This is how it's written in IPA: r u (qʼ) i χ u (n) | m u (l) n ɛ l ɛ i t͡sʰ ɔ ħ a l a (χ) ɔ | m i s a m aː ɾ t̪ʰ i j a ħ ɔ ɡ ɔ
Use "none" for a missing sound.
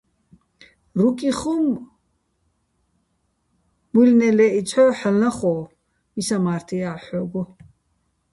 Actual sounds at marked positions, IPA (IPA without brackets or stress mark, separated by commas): kʼ, m, l, χ